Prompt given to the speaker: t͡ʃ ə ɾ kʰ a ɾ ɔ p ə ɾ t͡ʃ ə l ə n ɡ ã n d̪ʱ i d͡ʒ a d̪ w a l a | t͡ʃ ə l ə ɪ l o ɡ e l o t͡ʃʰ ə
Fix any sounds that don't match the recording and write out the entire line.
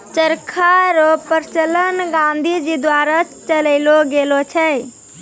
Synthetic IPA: t͡ʃ ə ɾ kʰ a ɾ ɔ p ə ɾ t͡ʃ ə l ə n ɡ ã n d̪ʱ i d͡ʒ i d̪ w a ɾ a | t͡ʃ ə l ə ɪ l o ɡ e l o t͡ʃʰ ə